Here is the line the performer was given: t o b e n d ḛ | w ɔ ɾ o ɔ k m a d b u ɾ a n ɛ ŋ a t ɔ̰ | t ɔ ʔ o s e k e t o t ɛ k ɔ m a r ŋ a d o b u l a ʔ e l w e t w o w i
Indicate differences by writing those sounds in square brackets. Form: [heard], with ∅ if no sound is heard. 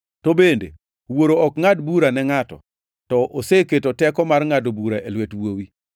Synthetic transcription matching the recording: t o b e n d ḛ | w [o] ɾ o ɔ k [ŋ] a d b u ɾ a n ɛ ŋ a t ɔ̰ | t ɔ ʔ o s e k e t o t ɛ k ɔ m a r ŋ a d o b u [ɾ] a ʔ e l w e t w o w i